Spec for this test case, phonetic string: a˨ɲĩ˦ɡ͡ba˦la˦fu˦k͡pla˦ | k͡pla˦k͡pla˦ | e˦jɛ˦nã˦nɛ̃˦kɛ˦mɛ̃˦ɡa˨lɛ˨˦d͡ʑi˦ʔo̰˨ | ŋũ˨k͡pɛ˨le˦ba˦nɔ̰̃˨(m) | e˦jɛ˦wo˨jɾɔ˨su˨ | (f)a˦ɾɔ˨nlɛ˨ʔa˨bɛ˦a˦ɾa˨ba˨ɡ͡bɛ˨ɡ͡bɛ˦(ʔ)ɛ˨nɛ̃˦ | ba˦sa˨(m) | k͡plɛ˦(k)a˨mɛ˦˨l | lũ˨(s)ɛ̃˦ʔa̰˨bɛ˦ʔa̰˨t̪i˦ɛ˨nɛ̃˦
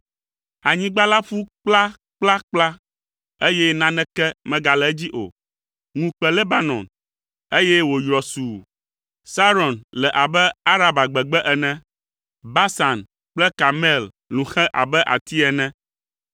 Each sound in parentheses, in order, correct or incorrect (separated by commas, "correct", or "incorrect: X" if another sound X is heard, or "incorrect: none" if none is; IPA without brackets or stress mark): incorrect: n, incorrect: s, correct, incorrect: n, correct, incorrect: x